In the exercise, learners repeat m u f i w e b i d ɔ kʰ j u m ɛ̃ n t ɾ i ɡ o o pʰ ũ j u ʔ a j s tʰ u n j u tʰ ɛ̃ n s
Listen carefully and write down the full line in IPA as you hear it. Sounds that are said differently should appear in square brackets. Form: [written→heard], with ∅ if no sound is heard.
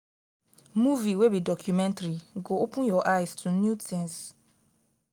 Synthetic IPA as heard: m u [f→v] i w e b i d ɔ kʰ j u m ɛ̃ n t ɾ i ɡ o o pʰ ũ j [u→ɔ] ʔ a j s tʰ u n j u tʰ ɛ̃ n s

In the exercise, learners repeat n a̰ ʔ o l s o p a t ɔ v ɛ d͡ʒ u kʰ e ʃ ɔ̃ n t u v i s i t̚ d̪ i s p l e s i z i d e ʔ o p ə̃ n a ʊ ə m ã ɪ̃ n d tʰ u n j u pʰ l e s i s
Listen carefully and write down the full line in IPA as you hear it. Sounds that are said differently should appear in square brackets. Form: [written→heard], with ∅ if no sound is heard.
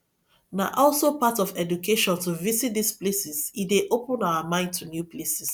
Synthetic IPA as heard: n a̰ ʔ [o→ɔ] l s o p a t ɔ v ɛ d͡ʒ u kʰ e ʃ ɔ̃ n t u v i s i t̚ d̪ i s p l e s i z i d e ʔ o p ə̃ n a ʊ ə m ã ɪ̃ n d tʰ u n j u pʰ l e s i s

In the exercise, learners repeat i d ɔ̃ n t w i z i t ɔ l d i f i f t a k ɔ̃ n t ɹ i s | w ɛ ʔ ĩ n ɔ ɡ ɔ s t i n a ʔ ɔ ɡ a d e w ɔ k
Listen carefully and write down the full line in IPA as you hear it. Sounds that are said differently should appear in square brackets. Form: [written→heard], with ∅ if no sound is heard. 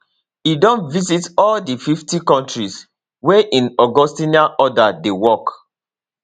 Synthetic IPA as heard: i d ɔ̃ n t [w→v] i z i t ɔ l d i f i f t [a→i] k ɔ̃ n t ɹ i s | w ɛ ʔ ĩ n ɔ ɡ ɔ s t i n a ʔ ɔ [ɡ→d] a d e w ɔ k

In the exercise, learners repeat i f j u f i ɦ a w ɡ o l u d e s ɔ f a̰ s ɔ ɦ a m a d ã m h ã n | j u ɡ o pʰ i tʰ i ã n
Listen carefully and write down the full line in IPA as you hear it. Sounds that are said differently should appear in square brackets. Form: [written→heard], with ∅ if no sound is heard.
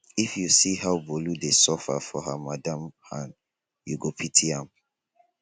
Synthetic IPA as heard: i f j u [f→s] i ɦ a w [ɡ→b] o l u d e s ɔ f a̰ [s→f] ɔ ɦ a m a d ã m h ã n | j u ɡ o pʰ i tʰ i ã [n→m]

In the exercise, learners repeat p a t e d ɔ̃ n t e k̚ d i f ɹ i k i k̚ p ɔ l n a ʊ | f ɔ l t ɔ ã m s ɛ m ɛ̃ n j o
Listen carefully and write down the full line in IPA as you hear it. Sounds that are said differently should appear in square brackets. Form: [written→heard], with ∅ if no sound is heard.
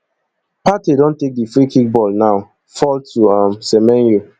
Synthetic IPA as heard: p a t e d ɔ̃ n t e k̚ d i f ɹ i k i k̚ [p→b] ɔ l n a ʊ | f ɔ l t [ɔ→u] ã m s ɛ m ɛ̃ n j o

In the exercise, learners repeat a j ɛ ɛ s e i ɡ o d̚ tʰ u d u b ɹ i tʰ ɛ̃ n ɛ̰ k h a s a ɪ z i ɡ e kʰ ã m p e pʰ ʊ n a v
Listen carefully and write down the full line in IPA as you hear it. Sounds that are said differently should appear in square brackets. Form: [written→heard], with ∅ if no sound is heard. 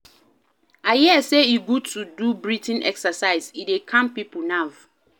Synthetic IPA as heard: a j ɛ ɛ s e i ɡ [o→u] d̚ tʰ u d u b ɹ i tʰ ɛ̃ n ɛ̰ k [h→s] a s a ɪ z i [ɡ→d] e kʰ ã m p [e→i] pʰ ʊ n a v

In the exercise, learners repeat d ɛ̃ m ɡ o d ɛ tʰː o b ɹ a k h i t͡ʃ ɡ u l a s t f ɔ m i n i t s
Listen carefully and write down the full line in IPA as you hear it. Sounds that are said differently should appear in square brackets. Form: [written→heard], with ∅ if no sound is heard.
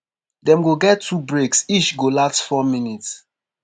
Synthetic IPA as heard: d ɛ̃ m ɡ o [d→ɡ] ɛ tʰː [o→u] b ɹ [a→e] k [h→s] i t͡ʃ ɡ [u→o] l a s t f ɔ m i n i t s

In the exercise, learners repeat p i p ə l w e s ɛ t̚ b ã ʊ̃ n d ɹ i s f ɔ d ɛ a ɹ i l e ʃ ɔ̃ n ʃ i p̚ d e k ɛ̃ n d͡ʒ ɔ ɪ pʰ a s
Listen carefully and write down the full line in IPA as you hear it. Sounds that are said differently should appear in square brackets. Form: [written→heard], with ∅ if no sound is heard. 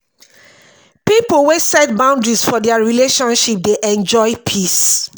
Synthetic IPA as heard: p i p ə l w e s ɛ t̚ b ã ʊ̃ n d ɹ i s f ɔ d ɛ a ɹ i l e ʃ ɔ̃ n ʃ i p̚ d e [k→ʔ] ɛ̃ n d͡ʒ ɔ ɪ pʰ [a→i] s

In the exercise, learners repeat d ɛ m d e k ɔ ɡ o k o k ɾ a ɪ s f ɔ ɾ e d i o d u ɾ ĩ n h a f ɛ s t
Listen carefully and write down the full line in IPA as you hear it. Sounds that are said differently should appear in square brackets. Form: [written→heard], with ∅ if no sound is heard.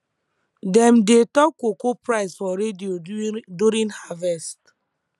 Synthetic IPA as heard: d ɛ m d e [k→t] ɔ [ɡ→k] o k o [k→p] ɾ a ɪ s f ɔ ɾ e d i o d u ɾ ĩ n h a [f→v] ɛ s t

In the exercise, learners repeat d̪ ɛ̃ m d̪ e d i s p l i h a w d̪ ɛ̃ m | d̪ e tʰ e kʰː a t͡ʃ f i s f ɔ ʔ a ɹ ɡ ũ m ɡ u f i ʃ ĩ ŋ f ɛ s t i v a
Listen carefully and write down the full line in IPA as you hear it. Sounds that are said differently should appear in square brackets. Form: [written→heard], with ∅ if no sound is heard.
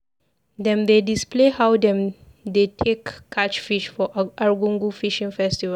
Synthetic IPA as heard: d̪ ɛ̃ m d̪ e d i s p l [i→e] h a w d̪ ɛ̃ m | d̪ e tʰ e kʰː a t͡ʃ f i [s→ʃ] f ɔ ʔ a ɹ ɡ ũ [m→ŋ] ɡ u f i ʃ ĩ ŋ f ɛ s t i v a

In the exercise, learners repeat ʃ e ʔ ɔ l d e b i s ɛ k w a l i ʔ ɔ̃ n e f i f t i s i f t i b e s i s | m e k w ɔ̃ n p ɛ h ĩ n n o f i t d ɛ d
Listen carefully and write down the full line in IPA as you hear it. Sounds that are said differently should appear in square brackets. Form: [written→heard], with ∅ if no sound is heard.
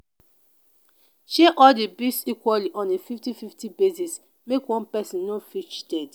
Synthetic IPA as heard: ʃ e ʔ ɔ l d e b i s [ɛ→i] k w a l i ʔ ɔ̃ n e f i f t i [s→f] i f t i b e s i s | m e k w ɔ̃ n p ɛ [h→s] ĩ n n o f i [t→t͡ʃ] d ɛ d

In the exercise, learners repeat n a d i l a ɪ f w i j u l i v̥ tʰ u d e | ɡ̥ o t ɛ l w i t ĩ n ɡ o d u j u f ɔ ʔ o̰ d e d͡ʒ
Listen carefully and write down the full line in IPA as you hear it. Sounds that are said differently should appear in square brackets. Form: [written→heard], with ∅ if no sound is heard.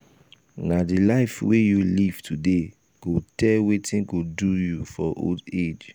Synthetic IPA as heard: n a d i l a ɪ f w [i→e] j u l i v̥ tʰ u d e | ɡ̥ o t ɛ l w [i→e] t ĩ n ɡ o d u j u f ɔ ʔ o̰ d e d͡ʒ

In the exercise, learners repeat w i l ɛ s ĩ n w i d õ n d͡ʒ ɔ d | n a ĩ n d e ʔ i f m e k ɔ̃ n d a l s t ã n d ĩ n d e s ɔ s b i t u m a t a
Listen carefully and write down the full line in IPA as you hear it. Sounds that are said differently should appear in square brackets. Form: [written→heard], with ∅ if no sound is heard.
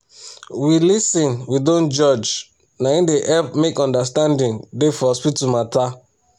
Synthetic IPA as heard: w i l [ɛ→i] s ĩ n w i d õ n d͡ʒ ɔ [d→d͡ʒ] | n a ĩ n d e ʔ [i→ɛ] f m e k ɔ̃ n d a [l→∅] s t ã n d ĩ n d e [s→f] ɔ s [b→p] i t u m a t a

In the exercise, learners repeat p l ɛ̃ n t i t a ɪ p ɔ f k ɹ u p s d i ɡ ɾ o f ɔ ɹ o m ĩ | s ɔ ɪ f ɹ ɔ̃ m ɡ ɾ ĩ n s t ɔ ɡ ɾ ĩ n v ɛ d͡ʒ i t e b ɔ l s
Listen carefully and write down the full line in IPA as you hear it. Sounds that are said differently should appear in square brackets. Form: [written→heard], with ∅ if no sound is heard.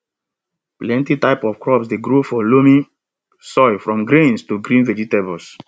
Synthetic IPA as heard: p l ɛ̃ n t i t a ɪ p ɔ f k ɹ [u→ɔ] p s d [i→e] ɡ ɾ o f ɔ [ɹ→l] o m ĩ | s ɔ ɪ f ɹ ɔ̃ m ɡ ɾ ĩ n s t [ɔ→u] ɡ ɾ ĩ n v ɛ d͡ʒ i t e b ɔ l s

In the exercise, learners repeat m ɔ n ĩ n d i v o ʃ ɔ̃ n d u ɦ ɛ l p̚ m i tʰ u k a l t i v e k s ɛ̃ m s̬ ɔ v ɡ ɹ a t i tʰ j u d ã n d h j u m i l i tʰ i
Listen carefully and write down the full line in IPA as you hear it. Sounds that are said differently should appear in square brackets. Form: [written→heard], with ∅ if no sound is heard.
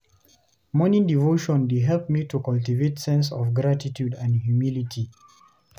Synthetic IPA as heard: m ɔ n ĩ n d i v o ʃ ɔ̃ n d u ɦ ɛ l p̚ m i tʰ u k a l t i v e [k→t] s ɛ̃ [m→n] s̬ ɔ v ɡ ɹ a t i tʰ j u d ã n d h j u m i l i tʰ i

